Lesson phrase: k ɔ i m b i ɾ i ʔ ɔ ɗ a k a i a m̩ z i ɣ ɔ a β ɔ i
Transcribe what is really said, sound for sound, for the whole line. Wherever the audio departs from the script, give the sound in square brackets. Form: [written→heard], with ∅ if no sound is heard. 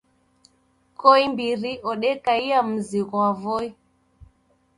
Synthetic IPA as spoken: k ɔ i m b i ɾ i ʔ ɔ ɗ [a→ɛ] k a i a m̩ z i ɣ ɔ a [β→v] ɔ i